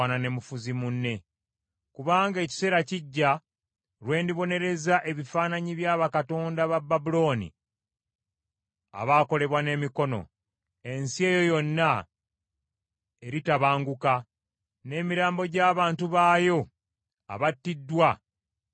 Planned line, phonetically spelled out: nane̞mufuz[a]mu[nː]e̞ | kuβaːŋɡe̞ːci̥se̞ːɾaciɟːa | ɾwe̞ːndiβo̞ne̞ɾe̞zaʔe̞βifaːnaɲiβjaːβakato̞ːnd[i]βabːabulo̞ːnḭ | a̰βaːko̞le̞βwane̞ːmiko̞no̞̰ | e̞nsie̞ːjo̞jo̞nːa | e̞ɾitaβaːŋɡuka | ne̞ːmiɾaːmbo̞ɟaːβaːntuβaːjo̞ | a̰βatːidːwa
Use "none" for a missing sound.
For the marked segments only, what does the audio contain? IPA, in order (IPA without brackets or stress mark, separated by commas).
i, nː, a